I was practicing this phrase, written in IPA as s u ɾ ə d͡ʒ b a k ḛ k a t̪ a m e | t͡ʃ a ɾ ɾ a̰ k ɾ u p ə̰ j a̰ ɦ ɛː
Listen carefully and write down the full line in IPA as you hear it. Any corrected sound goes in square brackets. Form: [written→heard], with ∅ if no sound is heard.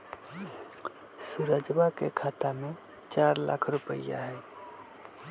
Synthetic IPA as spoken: s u ɾ ə d͡ʒ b a k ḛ [k→kʰ] a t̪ a m e | t͡ʃ a ɾ [ɾ→l] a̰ [k→kʰ] ɾ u p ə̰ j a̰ ɦ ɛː